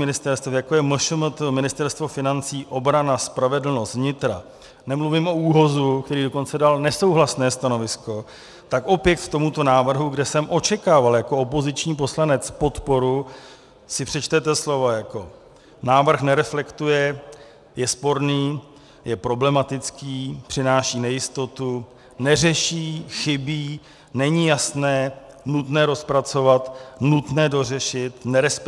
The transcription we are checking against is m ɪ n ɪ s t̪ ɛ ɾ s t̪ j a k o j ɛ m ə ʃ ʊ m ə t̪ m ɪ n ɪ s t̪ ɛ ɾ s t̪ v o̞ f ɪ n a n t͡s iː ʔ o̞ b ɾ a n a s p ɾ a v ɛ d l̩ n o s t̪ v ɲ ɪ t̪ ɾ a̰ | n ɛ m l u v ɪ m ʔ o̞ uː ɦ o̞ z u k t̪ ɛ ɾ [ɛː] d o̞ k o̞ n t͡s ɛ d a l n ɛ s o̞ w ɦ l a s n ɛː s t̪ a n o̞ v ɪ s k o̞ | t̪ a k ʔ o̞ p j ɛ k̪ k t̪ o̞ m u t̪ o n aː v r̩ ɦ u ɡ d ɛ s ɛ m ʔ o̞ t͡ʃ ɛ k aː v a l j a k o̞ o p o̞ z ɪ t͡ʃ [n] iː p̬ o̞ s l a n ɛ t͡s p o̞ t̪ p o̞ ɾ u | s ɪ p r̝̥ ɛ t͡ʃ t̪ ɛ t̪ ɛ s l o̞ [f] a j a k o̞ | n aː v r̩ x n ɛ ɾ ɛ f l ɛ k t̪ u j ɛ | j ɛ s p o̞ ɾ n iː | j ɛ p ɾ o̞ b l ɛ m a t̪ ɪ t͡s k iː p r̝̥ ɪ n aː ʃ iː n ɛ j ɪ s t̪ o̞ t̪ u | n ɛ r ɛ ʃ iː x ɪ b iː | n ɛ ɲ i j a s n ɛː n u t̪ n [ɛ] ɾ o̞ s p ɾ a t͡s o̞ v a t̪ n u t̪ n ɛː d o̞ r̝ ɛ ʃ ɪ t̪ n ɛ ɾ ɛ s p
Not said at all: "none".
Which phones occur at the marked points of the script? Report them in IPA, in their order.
iː, ɲ, v, ɛː

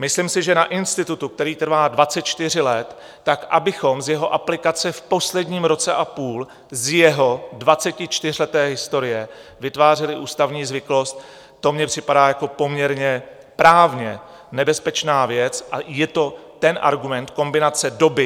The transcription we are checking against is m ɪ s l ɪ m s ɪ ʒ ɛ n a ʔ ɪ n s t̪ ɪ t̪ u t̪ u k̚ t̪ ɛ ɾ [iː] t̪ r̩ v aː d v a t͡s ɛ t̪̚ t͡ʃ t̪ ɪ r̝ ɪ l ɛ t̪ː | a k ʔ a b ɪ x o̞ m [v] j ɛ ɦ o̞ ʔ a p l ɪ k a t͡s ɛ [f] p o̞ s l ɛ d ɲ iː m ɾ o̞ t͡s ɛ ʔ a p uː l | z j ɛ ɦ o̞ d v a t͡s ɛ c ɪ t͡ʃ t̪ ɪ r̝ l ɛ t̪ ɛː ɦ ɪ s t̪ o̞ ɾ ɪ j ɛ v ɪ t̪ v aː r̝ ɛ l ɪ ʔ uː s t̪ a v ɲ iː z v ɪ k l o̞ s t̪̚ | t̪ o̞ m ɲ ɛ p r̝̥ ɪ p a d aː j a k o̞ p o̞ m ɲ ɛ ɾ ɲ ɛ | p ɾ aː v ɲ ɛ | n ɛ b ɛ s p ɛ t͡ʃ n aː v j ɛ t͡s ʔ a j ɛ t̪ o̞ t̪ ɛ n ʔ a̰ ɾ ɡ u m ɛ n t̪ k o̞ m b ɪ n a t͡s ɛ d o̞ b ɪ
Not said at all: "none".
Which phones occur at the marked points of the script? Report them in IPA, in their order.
iː, z, f

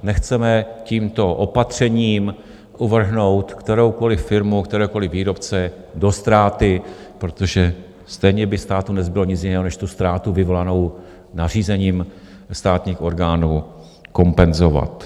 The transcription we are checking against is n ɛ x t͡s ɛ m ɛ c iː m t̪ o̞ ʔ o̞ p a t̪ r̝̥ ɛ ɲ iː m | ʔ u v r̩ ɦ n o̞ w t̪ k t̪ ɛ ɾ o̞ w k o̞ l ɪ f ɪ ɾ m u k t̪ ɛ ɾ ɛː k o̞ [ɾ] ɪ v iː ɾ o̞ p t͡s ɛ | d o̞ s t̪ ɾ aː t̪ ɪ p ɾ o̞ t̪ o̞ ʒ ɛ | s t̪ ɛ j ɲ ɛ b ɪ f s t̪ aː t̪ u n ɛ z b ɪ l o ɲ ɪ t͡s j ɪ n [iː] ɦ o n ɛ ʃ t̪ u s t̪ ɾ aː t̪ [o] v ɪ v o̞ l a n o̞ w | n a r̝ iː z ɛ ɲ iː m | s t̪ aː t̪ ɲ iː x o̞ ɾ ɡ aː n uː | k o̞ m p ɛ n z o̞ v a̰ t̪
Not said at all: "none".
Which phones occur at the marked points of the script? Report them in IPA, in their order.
l, ɛː, u

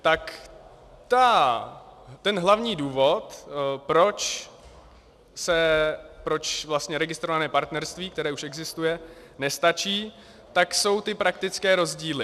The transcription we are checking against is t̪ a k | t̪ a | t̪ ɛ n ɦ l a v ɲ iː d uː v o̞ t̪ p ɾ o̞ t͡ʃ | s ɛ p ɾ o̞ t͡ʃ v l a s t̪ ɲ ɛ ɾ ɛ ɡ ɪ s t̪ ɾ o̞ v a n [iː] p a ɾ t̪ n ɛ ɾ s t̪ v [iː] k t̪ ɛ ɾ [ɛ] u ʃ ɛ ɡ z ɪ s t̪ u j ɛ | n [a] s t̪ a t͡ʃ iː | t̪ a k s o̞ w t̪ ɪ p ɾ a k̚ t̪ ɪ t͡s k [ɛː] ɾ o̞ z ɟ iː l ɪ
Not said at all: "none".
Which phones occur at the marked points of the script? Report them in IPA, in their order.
ɛː, iː, ɛː, ɛ, ɛː

